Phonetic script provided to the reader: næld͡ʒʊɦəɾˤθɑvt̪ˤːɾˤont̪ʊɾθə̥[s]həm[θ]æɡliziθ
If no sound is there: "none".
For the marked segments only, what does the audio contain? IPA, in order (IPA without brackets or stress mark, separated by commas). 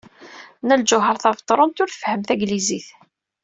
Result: f, θ